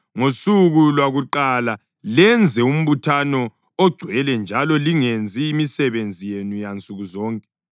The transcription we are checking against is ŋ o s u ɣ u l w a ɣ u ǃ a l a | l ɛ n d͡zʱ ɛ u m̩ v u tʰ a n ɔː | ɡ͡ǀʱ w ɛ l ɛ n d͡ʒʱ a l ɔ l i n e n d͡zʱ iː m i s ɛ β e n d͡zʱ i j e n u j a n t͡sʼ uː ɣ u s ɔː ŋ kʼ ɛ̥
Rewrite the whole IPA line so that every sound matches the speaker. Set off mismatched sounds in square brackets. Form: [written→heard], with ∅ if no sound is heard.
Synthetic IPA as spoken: ŋ o s u ɣ u l w a ɣ u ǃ a l a | l ɛ n d͡zʱ ɛ u m̩ [v→β] u tʰ a n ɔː | ɡ͡ǀʱ w ɛ l ɛ n d͡ʒʱ a l ɔ l i [n→ŋ] e n d͡zʱ iː m i s ɛ β e n d͡zʱ i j e n u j a n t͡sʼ [uː→u] ɣ u [s→z] ɔː ŋ kʼ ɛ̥